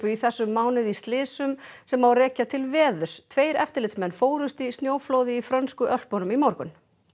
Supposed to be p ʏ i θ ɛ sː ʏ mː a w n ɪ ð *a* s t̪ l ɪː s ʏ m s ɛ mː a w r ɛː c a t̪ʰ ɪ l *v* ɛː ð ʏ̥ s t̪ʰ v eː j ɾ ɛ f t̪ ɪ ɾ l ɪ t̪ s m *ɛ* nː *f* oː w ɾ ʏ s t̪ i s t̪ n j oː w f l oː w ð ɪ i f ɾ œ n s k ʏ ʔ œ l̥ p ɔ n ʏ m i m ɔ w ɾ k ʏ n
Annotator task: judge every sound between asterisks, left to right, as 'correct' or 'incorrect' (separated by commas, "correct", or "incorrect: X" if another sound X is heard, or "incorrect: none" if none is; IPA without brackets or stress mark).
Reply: incorrect: i, correct, correct, correct